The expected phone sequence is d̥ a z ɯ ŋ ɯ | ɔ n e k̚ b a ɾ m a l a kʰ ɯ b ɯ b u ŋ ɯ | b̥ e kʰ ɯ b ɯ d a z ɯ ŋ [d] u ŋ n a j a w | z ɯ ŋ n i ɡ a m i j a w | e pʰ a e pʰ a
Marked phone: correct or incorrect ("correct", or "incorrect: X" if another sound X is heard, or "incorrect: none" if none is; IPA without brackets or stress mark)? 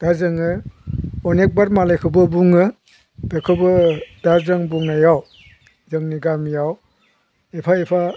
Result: incorrect: b